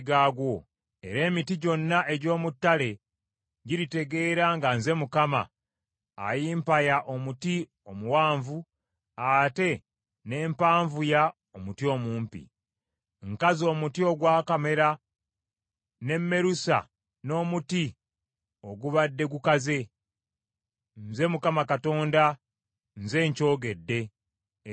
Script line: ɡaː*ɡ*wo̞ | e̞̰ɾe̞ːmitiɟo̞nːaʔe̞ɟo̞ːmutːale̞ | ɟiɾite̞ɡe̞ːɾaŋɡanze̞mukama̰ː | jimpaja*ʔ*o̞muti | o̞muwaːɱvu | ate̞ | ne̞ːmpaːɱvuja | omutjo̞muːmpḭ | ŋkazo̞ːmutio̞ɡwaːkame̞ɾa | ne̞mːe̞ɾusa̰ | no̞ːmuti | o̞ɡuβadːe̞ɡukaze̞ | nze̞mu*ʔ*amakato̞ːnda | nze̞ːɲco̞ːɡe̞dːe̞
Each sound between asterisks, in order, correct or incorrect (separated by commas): correct, correct, incorrect